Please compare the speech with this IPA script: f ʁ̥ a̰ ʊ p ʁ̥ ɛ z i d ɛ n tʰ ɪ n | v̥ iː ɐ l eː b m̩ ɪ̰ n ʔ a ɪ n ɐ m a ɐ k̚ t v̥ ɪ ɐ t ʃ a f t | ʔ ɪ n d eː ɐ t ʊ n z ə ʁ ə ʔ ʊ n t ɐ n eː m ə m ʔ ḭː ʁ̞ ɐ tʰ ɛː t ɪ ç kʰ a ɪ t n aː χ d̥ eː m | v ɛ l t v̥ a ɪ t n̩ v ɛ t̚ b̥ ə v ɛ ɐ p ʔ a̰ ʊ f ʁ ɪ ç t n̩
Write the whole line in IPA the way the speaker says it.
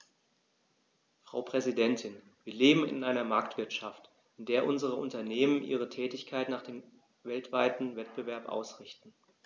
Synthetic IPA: f ʁ̥ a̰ ʊ p ʁ̥ ɛ z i d ɛ n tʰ ɪ n | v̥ iː ɐ l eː b m̩ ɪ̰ n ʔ a ɪ n ɐ m a ɐ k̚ t v̥ ɪ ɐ t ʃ a f t | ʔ ɪ n d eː ɐ ʔ ʊ n z ə ʁ ə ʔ ʊ n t ɐ n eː m ə n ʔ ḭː ʁ̞ ə tʰ ɛː t ɪ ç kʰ a ɪ t n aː χ d̥ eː m | v ɛ l t v̥ a ɪ t n̩ v ɛ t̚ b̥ ə v ɛ ɐ p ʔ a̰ ʊ s ʁ ɪ ç t n̩